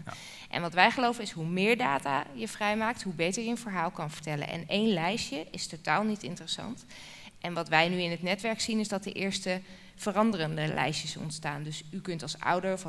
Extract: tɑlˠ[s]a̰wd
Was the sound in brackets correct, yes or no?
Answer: yes